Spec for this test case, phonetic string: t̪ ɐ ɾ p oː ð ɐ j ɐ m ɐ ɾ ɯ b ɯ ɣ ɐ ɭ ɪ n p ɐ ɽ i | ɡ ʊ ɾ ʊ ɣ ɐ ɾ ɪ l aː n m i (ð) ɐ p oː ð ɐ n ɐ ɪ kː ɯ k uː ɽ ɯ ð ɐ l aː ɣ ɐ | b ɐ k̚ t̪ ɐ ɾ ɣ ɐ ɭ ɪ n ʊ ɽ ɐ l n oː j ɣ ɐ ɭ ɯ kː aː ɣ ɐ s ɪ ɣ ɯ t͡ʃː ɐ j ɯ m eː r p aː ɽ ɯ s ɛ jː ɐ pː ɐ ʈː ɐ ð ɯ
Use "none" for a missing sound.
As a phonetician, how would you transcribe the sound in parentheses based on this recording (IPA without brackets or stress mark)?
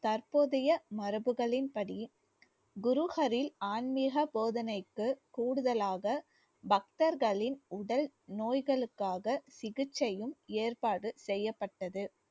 ɣ